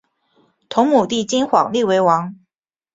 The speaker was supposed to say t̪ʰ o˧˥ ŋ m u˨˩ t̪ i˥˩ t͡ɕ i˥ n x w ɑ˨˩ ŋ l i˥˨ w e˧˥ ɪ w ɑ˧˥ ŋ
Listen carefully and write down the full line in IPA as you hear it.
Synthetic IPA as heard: t̪ʰ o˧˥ ŋ m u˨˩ t̪ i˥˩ t͡ɕ i˥ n x w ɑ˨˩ ŋ l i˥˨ w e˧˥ ɪ w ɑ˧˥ ŋ